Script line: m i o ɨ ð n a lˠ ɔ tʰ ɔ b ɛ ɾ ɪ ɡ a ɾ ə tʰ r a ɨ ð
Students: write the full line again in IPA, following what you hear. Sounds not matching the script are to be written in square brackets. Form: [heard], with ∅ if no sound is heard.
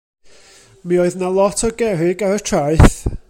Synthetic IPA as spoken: m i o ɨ ð n a lˠ ɔ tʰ ɔ [ɡ] ɛ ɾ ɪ ɡ a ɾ ə tʰ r a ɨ [θ]